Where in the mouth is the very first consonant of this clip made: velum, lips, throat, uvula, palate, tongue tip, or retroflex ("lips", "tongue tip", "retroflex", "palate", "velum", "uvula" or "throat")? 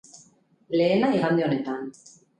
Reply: tongue tip